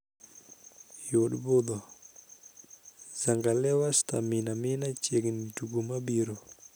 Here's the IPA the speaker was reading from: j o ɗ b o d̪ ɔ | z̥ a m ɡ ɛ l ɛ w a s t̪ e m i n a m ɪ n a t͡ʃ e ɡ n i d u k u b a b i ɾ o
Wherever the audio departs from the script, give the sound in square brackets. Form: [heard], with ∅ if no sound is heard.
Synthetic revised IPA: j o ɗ b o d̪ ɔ | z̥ a [ŋ] ɡ [a] l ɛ w a s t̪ [a] m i n a m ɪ n a t͡ʃ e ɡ n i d u [ɡ] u [m] a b i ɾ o